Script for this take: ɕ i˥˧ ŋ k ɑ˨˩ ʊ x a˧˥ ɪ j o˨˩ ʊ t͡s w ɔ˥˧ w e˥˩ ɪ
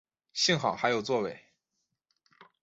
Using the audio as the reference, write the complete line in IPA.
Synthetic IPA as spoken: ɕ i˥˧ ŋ x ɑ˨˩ ʊ x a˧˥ ɪ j o˨˩ ʊ t͡s w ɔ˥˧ w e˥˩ ɪ

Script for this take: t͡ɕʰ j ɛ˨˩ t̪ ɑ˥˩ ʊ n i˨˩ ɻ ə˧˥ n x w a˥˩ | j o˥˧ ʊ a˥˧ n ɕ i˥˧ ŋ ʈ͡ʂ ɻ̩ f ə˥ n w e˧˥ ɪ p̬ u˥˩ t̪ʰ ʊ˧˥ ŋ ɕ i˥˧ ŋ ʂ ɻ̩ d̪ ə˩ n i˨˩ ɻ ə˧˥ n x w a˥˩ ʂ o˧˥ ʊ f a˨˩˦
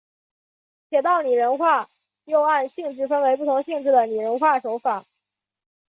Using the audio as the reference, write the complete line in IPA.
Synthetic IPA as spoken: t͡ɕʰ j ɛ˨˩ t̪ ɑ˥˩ ʊ n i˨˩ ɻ ə˧˥ n x w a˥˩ | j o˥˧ ʊ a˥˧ n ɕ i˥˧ ŋ ʈ͡ʂ ɻ̩ f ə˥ n w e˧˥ ɪ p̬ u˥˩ t̪ʰ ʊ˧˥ ŋ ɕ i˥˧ ŋ ʈ͡ʂ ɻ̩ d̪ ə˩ n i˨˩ ɻ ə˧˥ n x w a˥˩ ʂ o˧˥ ʊ f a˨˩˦

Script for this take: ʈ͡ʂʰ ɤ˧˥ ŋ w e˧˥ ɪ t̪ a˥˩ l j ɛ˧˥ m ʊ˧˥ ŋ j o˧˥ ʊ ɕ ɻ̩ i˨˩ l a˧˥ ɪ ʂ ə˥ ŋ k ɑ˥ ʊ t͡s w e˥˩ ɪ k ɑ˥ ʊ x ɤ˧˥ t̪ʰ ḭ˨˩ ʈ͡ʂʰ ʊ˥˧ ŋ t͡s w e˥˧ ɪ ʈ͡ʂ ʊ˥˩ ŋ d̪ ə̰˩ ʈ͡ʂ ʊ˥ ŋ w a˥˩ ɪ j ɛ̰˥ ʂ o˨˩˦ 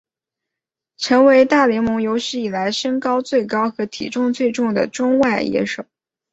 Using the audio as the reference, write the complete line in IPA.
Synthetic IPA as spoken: ʈ͡ʂʰ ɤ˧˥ ŋ w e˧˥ ɪ t̪ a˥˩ l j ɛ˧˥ m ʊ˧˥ ŋ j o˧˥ ʊ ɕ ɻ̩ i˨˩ l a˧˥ ɪ ʂ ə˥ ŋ k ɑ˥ ʊ t͡s w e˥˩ ɪ k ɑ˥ ʊ x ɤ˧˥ t̪ʰ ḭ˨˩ ʈ͡ʂ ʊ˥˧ ŋ t͡s w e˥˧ ɪ ʈ͡ʂ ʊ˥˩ ŋ d̪ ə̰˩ ʈ͡ʂ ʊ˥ ŋ w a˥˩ ɪ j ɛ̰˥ ʂ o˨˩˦

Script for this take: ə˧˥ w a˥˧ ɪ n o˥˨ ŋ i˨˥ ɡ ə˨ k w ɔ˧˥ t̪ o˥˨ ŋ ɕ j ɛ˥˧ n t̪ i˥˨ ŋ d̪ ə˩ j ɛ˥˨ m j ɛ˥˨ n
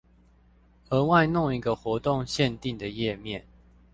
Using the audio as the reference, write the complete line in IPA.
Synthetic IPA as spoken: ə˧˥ w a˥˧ ɪ n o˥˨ ŋ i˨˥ ɡ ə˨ x w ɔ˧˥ t̪ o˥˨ ŋ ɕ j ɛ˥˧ n t̪ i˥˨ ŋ d̪ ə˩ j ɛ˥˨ m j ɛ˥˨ n

